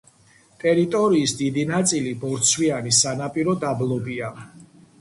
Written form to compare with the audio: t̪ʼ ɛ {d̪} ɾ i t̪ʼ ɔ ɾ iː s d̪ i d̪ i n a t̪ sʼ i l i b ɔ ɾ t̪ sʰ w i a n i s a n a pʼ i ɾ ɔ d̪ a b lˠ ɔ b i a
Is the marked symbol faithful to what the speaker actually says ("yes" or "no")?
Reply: no